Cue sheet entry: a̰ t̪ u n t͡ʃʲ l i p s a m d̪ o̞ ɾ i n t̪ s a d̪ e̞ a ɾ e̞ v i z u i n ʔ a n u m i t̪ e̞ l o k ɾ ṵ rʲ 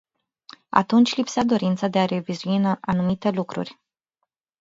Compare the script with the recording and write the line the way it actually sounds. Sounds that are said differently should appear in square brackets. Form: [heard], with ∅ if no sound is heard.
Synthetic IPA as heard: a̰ t̪ u n t͡ʃʲ l i p s a [∅] d̪ o̞ ɾ i n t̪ s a d̪ e̞ a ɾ e̞ v i z u i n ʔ a n u m i t̪ e̞ l [u] k ɾ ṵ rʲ